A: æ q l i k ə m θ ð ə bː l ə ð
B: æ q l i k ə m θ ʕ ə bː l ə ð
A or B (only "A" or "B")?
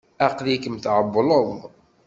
B